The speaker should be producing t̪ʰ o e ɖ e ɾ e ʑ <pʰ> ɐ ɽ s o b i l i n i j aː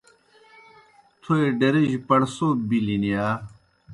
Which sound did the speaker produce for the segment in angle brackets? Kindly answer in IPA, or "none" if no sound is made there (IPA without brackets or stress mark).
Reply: p